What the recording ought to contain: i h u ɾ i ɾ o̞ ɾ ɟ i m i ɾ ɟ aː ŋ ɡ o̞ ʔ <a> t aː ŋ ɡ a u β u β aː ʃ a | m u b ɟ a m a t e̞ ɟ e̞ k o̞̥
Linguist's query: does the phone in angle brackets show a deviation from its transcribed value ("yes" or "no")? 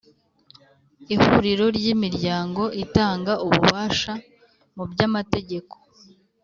yes